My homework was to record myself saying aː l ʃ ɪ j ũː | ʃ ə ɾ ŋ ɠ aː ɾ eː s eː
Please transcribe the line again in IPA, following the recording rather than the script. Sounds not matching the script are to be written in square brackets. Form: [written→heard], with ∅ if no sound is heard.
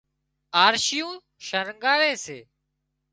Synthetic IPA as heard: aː [l→ɾ] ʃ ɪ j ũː | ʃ ə ɾ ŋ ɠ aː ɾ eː s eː

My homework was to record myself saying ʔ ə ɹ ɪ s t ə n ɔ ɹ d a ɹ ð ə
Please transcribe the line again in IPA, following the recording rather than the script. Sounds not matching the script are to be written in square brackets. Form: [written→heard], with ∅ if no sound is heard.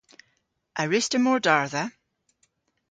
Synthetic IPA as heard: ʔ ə ɹ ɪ s t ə [n→m] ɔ ɹ d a ɹ ð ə

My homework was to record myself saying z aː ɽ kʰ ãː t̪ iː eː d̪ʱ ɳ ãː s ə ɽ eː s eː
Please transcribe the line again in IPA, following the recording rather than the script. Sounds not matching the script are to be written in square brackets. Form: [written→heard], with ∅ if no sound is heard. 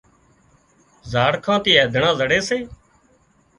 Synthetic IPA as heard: z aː ɽ kʰ ãː t̪ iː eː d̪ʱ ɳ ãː [s→z] ə ɽ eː s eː

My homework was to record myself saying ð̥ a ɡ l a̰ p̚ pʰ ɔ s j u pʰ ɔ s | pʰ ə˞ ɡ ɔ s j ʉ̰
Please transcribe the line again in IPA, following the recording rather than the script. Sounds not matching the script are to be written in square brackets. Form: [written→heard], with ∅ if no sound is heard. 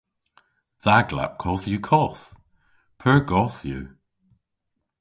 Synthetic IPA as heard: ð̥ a ɡ l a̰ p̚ [pʰ→kʰ] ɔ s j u [pʰ→kʰ] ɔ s | pʰ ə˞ ɡ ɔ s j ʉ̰

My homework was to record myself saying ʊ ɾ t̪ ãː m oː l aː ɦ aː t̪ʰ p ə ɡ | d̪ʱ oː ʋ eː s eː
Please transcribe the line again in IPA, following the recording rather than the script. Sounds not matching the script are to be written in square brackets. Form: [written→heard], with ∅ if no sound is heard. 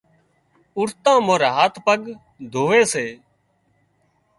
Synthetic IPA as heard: ʊ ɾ t̪ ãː m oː [l→ɾ] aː ɦ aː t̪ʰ p ə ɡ | d̪ʱ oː ʋ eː s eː

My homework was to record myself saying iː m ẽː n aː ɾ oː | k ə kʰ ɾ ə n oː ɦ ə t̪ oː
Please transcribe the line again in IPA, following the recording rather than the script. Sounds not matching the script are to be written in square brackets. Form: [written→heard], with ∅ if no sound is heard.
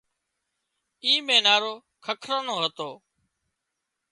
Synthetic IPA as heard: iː m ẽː n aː ɾ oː | [k→kʰ] ə kʰ ɾ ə n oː ɦ ə t̪ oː

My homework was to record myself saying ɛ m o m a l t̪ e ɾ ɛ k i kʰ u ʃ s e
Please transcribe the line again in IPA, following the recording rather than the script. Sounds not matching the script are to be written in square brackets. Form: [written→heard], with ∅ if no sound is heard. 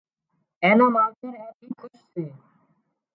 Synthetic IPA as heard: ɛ [m→n] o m a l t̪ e ɾ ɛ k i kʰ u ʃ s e

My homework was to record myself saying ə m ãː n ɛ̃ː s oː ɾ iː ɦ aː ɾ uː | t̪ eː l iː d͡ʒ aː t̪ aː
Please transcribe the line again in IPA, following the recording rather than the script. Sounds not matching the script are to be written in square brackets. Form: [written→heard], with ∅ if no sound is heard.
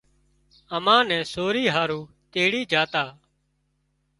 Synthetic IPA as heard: ə m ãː n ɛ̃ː s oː ɾ iː ɦ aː ɾ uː | t̪ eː [l→ɽ] iː d͡ʒ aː t̪ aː

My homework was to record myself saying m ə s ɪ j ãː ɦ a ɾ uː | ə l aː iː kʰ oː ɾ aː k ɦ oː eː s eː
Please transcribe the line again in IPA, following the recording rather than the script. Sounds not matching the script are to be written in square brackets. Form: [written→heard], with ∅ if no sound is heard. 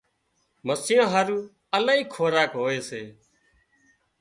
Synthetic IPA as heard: m ə s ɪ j ãː ɦ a ɾ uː | ə l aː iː kʰ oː ɾ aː k ɦ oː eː s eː

